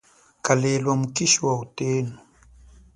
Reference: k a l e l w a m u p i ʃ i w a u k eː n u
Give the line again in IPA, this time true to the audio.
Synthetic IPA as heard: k a l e l w a m u k i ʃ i w a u t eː n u